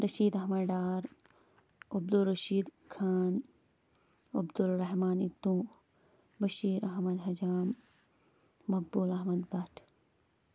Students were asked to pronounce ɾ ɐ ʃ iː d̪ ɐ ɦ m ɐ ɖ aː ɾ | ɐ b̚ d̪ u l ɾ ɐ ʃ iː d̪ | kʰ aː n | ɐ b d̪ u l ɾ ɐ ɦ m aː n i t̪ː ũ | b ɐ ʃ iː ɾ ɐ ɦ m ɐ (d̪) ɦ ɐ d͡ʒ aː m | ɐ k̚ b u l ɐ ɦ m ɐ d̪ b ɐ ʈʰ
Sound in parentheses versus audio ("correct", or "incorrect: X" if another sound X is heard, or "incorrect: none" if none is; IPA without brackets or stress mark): correct